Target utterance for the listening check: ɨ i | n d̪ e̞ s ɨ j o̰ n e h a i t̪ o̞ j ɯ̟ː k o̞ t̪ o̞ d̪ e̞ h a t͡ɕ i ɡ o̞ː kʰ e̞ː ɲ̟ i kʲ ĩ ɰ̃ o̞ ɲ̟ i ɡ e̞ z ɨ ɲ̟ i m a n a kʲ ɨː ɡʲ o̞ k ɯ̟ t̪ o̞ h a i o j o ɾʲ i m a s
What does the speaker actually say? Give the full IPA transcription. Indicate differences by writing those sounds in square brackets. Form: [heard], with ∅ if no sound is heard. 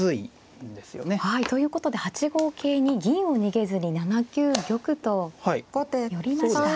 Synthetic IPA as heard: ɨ i | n d̪ e̞ s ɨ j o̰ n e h a i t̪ o̞ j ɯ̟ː k o̞ t̪ o̞ d̪ e̞ h a t͡ɕ i ɡ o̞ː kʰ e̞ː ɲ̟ i [ɡʲ] ĩ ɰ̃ o̞ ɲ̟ i ɡ e̞ z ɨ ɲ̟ i [n] a n a kʲ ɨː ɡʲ o̞ k ɯ̟ t̪ o̞ h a i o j o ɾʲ i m a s